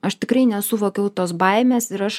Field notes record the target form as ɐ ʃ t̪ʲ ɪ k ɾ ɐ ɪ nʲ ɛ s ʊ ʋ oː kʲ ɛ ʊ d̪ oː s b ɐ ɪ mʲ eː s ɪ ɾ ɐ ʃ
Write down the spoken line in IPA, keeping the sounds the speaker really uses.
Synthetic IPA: ɐ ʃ t̪ʲ ɪ k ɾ ɐ ɪ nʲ ɛ s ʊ ʋ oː kʲ ɛ ʊ t̪ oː s b ɐ ɪ mʲ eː s ɪ ɾ ɐ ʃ